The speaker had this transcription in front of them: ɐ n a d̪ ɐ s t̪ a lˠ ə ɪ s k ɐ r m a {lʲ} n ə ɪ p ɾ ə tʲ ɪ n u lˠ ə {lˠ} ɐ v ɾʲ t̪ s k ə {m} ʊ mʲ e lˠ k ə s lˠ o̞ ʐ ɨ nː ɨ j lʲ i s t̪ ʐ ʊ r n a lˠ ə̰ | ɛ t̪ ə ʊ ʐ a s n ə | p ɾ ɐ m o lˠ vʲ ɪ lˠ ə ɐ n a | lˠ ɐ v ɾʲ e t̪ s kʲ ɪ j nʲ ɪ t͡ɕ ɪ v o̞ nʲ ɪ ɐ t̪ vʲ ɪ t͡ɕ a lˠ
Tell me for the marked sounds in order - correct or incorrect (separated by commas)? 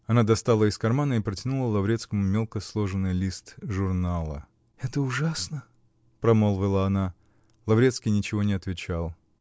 incorrect, correct, correct